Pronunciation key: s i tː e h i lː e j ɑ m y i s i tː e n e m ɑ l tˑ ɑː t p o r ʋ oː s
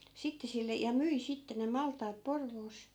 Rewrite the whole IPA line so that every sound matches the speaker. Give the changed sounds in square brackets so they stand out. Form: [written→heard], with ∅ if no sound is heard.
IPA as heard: s i tː e [h→s] i lː e j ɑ m y i s i tː e n e m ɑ l tˑ ɑː t p o r ʋ oː s